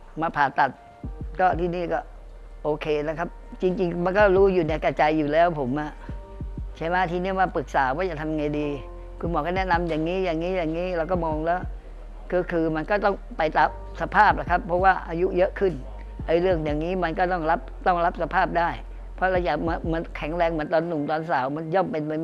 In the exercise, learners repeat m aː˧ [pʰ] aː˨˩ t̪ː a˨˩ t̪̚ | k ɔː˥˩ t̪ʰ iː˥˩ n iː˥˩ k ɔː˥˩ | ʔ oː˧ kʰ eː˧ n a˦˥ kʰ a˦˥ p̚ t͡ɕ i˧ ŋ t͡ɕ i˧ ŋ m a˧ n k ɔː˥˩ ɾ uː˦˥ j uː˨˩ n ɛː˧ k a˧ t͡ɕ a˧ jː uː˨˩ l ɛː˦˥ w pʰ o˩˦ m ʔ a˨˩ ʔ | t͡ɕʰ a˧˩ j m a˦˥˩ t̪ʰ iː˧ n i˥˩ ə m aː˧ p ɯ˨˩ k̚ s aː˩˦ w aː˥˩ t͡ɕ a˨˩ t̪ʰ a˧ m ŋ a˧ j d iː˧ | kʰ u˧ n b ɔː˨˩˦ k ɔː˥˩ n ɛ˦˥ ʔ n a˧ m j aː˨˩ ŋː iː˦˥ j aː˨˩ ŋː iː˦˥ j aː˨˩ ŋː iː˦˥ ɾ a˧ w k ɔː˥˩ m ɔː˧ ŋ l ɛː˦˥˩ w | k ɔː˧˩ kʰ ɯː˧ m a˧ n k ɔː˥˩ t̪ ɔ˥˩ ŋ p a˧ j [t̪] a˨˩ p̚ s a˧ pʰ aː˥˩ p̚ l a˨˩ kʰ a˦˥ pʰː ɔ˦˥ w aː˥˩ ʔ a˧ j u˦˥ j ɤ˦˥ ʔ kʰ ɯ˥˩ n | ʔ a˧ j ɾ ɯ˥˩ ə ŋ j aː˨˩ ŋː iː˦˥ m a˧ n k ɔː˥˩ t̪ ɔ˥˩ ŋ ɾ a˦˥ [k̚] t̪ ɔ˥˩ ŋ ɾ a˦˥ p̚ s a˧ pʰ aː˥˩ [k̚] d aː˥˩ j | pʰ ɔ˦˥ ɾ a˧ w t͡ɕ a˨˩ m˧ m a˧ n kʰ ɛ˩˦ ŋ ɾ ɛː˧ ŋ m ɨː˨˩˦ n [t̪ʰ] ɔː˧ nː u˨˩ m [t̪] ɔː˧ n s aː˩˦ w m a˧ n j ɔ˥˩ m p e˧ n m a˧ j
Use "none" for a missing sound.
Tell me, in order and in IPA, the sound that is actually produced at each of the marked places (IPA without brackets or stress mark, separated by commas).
pʰ, t̪, p̚, p̚, t̪, t̪